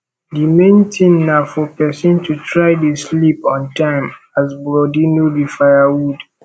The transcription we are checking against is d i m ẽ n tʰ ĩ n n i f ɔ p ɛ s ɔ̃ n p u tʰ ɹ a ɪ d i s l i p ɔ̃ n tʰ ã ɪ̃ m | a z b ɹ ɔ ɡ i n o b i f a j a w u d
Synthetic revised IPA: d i m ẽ n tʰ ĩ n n a f ɔ p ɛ s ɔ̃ n t u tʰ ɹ a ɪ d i s l i p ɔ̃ n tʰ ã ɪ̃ m | a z b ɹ ɔ d i n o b i f a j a w u d